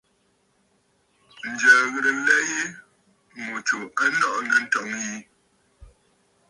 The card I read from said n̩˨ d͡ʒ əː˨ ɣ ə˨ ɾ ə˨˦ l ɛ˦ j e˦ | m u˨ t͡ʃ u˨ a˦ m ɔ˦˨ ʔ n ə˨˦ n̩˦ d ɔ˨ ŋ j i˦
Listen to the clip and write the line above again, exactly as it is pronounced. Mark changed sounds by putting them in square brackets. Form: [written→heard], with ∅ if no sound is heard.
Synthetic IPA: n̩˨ d͡ʒ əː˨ ɣ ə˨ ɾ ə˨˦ l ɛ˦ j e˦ | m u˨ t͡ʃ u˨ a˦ [m→n] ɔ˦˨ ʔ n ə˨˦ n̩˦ [d→t] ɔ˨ ŋ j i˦

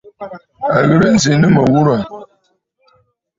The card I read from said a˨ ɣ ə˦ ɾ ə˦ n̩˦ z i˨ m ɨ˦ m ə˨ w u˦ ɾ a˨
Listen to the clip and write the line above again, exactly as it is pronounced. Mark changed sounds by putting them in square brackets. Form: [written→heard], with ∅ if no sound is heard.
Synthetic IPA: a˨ ɣ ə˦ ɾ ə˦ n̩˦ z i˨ [m→n] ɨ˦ m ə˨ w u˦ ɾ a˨

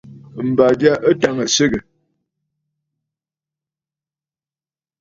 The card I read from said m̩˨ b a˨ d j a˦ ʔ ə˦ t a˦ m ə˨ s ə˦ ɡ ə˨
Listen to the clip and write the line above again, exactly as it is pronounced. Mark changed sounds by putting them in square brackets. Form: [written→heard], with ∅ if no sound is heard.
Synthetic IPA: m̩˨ b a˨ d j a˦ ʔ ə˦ t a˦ [m→ŋ] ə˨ s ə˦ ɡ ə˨

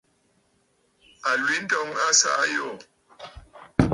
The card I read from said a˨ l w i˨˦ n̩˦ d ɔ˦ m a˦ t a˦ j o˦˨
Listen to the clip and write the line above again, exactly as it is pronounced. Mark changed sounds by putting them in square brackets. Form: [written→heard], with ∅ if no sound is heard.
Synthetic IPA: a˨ l w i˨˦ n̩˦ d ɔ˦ [m→ŋ] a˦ [t→s] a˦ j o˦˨

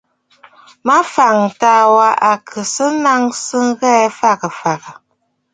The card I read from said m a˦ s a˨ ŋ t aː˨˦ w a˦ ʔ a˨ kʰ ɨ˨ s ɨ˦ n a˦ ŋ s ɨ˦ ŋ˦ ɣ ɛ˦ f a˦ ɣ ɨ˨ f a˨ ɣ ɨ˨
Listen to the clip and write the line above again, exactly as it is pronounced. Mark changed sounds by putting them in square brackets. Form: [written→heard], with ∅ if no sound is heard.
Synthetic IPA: m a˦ [s→f] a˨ ŋ t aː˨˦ w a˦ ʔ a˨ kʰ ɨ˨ s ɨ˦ n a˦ ŋ s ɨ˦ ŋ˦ ɣ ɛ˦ f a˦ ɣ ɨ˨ f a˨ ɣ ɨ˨

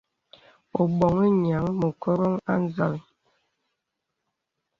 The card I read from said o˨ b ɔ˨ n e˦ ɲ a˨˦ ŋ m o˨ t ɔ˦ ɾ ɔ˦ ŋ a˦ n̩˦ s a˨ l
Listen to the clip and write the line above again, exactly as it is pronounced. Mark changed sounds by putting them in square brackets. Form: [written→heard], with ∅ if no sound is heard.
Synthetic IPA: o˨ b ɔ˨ [n→ŋ] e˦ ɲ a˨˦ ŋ m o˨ [t→k] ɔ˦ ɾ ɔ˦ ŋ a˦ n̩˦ [s→z] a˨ l

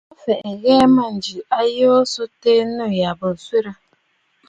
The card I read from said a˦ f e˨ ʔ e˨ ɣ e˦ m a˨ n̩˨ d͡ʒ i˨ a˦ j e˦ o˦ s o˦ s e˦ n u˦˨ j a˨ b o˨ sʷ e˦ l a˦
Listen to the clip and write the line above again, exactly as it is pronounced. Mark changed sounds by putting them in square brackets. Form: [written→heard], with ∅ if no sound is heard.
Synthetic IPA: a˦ f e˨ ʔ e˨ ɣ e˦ m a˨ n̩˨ d͡ʒ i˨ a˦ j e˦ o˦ s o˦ [s→t] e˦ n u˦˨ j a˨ b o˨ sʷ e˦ [l→ɾ] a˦

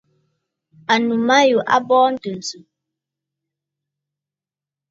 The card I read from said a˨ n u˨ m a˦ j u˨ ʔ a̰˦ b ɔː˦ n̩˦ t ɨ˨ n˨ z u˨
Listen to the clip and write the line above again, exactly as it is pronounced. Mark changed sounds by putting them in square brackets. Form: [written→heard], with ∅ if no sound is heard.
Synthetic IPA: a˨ n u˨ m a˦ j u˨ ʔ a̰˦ b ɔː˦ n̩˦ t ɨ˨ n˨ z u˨

